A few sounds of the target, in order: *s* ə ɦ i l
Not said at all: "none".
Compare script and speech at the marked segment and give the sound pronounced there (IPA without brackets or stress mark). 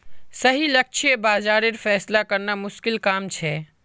s